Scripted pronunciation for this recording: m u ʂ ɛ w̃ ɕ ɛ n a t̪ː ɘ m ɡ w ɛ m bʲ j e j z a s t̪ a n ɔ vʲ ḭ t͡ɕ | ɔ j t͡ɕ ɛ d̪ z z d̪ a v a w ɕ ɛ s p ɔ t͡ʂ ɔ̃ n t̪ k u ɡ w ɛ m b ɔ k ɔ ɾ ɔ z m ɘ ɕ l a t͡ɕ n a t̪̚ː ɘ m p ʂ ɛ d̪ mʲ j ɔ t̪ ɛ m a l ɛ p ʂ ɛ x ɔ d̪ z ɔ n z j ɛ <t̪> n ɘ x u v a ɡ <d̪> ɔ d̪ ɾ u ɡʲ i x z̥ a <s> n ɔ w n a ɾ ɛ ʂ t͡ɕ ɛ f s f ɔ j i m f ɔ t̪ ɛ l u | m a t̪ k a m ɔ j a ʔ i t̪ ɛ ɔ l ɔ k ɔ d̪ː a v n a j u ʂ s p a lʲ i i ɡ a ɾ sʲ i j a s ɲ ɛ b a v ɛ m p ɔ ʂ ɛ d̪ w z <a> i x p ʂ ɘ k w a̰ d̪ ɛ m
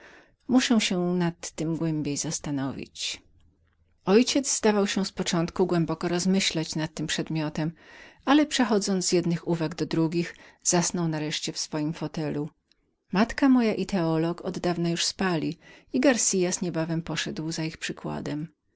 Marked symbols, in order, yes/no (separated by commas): no, yes, yes, yes